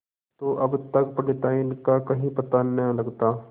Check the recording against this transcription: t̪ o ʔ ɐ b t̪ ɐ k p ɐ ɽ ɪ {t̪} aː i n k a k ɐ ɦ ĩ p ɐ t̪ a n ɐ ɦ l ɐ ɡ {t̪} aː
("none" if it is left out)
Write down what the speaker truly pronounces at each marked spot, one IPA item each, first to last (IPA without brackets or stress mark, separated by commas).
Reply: t̪, t̪